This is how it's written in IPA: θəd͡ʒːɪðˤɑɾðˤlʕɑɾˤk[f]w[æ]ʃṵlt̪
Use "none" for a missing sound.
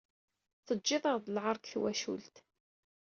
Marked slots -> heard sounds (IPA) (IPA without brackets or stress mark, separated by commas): θ, æ